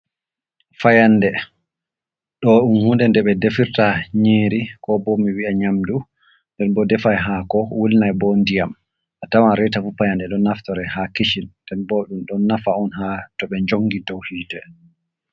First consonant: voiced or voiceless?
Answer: voiceless